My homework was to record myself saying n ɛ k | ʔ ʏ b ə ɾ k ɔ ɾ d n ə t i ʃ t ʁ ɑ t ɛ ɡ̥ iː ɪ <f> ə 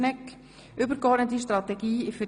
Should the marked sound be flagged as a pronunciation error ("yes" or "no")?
no